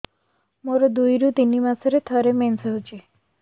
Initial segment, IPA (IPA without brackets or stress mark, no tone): m